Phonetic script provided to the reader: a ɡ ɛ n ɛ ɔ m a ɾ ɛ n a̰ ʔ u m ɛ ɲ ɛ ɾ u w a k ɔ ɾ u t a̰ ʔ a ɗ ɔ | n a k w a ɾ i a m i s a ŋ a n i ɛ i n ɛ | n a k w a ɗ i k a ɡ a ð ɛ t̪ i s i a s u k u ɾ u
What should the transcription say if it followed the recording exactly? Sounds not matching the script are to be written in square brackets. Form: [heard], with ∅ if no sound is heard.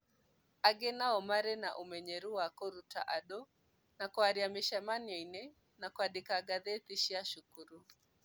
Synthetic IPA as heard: a ɡ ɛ n [a] ɔ m a ɾ ɛ n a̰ ʔ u m ɛ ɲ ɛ ɾ u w a k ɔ ɾ u t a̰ ʔ a ɗ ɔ | n a k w a ɾ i a m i [ʃ] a [m] a n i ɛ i n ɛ | n a k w a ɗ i k a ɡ a ð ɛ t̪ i [ʃ] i a [ʃ] u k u ɾ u